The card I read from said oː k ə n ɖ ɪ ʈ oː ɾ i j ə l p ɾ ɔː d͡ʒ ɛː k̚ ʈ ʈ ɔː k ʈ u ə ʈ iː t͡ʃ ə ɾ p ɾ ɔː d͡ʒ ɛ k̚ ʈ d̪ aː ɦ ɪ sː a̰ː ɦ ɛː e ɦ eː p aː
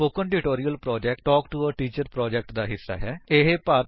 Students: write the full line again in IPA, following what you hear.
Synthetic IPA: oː k ə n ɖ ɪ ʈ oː ɾ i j ə l p ɾ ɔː d͡ʒ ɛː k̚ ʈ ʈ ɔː k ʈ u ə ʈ iː t͡ʃ ə ɾ p ɾ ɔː d͡ʒ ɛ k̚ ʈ d̪ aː ɦ ɪ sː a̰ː ɦ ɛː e ɦ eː p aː